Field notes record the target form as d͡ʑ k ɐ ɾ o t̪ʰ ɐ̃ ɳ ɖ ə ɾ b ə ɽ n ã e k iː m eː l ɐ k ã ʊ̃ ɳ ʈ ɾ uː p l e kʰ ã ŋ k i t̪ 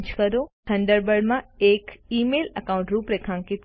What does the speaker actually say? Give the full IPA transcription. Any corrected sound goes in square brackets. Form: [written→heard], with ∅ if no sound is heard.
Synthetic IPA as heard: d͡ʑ k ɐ ɾ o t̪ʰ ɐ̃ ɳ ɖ ə ɾ b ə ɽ [n→m] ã e k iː m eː l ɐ k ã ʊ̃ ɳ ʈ ɾ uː p [l→ɾ] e kʰ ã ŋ k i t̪